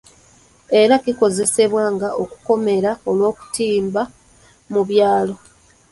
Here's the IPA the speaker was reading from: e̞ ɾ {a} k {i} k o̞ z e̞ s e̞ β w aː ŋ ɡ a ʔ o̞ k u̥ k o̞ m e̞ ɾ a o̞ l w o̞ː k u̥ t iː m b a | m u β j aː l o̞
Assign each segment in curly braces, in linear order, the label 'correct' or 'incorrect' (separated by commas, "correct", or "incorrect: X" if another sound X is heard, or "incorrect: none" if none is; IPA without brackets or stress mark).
correct, correct